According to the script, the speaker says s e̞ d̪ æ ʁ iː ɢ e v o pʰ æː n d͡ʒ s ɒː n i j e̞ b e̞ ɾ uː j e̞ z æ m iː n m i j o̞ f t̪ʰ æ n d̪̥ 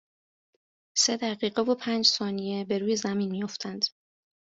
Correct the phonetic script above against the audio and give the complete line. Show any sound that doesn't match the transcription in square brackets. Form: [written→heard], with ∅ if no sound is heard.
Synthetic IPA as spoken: s e̞ d̪ æ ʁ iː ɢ e v o pʰ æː n d͡ʒ s ɒː n i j e̞ b e̞ ɾ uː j e̞ z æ m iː n m i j o̞ f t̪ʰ æ n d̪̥

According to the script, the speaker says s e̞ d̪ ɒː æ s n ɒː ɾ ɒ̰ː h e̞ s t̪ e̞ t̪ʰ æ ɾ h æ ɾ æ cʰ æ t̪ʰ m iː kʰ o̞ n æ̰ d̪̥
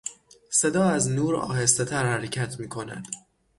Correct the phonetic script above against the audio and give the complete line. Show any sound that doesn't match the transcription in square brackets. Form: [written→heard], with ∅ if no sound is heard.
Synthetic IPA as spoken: s e̞ d̪ ɒː æ [s→z] n [ɒː→uː] ɾ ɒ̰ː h e̞ s t̪ e̞ t̪ʰ æ ɾ h æ ɾ [æ→e] cʰ æ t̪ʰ m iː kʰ o̞ n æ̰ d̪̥

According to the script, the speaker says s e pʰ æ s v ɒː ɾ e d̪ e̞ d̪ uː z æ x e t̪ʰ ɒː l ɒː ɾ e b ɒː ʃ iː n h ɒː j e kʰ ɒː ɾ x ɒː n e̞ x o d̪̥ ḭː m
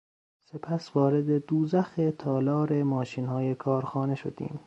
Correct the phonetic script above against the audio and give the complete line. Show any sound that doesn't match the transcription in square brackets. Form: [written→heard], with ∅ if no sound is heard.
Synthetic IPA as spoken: s e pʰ æ s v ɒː ɾ e d̪ e̞ d̪ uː z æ x e t̪ʰ ɒː l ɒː ɾ e [b→m] ɒː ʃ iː n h ɒː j e kʰ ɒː ɾ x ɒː n e̞ [x→ʃ] o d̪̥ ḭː m

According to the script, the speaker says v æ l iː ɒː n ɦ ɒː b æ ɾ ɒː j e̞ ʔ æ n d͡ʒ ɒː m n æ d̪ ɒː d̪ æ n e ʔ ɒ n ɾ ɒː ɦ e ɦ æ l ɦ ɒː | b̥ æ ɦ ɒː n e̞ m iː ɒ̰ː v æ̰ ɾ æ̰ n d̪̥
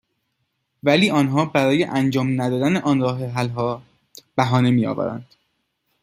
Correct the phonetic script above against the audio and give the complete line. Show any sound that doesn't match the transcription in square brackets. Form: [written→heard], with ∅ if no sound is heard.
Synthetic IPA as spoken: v æ l iː ɒː n ɦ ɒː b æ ɾ ɒː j e̞ ʔ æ n d͡ʒ ɒː m n æ d̪ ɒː d̪ æ n e ʔ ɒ n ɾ ɒː ɦ e ɦ æ l ɦ ɒː | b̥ æ ɦ ɒː n e̞ m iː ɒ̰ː v æ̰ ɾ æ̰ n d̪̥

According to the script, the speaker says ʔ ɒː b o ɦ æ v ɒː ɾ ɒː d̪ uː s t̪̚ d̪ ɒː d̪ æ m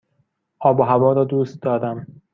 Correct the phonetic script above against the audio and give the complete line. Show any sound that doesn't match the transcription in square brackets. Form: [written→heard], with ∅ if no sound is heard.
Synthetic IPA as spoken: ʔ ɒː b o ɦ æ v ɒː ɾ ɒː d̪ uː s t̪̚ d̪ ɒː d̪ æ m

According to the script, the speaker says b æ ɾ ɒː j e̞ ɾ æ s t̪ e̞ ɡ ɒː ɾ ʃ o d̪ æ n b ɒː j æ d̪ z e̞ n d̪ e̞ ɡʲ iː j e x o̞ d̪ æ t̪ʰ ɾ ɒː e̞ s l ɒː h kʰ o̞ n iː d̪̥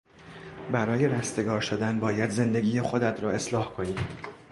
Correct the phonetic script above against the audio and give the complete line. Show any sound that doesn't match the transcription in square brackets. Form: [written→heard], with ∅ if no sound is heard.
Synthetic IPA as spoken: b æ ɾ ɒː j e̞ ɾ æ s t̪ e̞ ɡ ɒː ɾ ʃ o d̪ æ n b ɒː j æ d̪ z e̞ n d̪ e̞ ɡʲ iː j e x o̞ d̪ æ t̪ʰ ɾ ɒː e̞ s l ɒː h kʰ o̞ n iː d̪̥

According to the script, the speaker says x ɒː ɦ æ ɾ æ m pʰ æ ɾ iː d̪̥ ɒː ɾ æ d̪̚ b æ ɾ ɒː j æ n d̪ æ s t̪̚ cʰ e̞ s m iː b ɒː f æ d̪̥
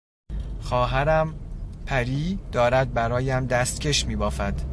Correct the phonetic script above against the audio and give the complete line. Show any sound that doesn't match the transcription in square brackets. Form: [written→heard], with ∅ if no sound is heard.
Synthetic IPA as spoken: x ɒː ɦ æ ɾ æ m pʰ æ ɾ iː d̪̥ ɒː ɾ æ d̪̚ b æ ɾ ɒː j æ [n→m] d̪ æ s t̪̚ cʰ e̞ [s→ʃ] m iː b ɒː f æ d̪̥

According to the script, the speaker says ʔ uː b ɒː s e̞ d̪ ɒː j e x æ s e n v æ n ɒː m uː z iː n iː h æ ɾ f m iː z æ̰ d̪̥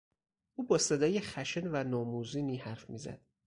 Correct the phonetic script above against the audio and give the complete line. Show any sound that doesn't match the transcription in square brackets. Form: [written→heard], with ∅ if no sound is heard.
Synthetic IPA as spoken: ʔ uː b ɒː s e̞ d̪ ɒː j e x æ [s→ʃ] e n v æ n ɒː m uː z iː n iː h æ ɾ f m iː z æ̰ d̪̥

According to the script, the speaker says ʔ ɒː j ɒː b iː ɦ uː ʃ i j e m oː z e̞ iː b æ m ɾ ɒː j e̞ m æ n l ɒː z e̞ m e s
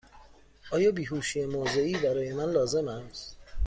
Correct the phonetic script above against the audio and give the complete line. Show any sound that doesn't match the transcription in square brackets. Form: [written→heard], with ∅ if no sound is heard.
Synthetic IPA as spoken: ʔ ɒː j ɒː b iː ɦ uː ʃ i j e m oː z e̞ iː b æ [m→∅] ɾ ɒː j e̞ m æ n l ɒː z e̞ m [e→æ] s

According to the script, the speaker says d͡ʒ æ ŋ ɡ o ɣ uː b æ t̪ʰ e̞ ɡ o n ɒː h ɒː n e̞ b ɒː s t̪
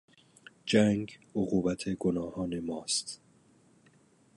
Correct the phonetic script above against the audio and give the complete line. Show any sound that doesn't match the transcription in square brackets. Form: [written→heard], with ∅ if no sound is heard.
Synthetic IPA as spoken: d͡ʒ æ ŋ ɡ o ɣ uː b æ t̪ʰ e̞ ɡ o n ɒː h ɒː n e̞ [b→m] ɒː s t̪

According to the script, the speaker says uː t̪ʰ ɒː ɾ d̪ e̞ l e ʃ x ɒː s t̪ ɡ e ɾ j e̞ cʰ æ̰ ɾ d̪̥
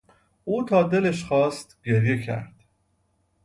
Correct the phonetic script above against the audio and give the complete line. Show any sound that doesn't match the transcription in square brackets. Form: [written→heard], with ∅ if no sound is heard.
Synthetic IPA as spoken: uː t̪ʰ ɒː [ɾ→∅] d̪ e̞ l e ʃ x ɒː s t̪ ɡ e ɾ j e̞ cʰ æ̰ ɾ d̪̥

